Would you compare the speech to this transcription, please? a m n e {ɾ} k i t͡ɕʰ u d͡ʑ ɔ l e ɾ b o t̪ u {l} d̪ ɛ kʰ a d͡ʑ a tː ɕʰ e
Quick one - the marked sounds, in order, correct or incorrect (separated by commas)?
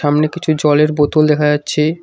incorrect, correct